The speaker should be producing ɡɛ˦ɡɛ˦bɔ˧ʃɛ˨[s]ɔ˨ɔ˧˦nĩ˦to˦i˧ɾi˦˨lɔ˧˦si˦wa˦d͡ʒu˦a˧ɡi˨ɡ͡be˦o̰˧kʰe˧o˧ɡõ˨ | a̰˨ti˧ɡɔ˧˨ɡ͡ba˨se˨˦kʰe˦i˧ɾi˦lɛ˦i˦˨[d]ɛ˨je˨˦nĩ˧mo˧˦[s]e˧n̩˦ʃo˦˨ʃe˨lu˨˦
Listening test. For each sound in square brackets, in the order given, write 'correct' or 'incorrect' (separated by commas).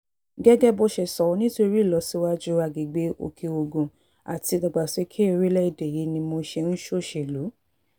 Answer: correct, correct, incorrect